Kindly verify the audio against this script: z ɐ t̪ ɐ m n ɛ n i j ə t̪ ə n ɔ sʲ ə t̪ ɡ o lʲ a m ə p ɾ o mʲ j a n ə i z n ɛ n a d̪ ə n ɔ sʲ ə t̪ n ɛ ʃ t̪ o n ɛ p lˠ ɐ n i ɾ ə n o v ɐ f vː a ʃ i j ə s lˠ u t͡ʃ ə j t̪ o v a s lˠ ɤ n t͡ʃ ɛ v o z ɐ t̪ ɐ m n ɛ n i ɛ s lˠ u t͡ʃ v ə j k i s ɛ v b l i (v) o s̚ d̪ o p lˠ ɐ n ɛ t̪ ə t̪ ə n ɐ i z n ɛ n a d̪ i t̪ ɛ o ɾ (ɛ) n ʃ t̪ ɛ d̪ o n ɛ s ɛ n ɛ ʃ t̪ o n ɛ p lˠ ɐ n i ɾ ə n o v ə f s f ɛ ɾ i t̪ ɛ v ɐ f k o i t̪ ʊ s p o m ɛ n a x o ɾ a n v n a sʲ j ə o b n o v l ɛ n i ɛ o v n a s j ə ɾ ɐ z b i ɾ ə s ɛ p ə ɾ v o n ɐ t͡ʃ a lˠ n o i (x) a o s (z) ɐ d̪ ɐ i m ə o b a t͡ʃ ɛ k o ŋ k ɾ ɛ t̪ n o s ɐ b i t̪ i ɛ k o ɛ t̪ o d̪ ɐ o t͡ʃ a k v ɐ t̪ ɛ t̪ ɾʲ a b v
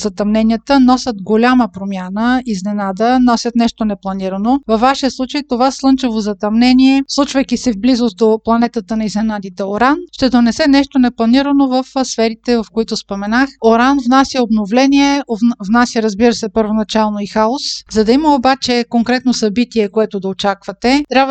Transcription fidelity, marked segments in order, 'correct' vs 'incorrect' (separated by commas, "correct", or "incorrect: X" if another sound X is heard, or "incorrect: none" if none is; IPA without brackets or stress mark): incorrect: z, incorrect: a, correct, correct